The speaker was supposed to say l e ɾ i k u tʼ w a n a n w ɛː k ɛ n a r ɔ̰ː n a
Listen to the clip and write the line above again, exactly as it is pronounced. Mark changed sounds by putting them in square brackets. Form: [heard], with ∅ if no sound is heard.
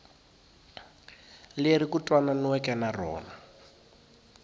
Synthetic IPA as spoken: l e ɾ i k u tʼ w a n a n w [ɛ] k ɛ n a r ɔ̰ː n a